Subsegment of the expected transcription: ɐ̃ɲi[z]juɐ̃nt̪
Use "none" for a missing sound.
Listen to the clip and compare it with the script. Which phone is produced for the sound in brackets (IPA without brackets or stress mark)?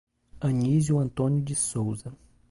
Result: z